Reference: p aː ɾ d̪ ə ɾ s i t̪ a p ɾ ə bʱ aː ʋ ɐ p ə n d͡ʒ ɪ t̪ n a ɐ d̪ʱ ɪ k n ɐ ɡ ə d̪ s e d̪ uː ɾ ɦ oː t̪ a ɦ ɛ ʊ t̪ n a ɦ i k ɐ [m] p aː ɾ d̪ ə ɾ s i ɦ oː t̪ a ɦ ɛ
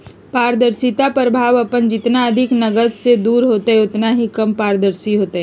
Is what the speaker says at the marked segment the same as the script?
yes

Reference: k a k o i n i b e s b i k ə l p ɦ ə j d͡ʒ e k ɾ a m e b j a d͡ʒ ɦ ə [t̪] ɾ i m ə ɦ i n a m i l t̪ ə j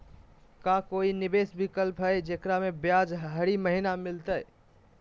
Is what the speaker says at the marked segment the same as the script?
no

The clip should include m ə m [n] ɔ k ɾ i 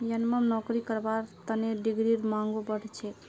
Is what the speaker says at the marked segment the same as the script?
yes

